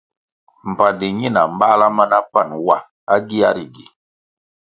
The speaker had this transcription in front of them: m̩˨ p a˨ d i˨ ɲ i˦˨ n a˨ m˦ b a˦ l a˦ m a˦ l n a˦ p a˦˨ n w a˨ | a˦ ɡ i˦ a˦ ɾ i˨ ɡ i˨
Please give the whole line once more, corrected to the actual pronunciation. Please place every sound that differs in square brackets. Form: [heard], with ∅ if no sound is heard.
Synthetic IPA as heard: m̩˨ p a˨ d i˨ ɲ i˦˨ n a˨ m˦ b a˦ l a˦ m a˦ [∅] n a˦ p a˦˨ n w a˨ | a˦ ɡ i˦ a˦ ɾ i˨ ɡ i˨